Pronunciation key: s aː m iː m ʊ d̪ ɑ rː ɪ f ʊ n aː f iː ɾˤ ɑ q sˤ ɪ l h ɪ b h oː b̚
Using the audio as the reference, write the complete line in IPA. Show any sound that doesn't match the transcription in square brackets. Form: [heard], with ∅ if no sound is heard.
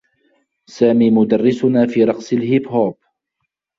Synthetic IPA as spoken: s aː m iː m ʊ d̪ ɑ rː ɪ [s] ʊ n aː f iː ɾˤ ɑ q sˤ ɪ l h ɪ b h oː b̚